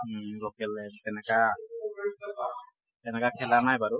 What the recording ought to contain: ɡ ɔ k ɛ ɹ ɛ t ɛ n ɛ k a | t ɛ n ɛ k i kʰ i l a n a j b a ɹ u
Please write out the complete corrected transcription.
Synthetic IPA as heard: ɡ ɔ k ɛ l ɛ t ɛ n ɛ k a | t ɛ n ɛ k a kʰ ɛ l a n a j b a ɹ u